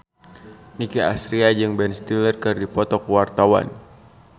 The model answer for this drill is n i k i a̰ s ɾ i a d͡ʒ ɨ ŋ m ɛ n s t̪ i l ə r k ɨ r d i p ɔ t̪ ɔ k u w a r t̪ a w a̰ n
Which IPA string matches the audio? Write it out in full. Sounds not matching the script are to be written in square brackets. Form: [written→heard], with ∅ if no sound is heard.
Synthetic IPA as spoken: n i k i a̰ s ɾ i a d͡ʒ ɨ ŋ [m→b] ɛ n s t̪ i l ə r k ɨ r d i p ɔ t̪ ɔ k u w a r t̪ a w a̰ n